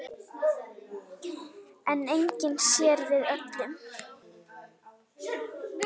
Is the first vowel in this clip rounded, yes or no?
no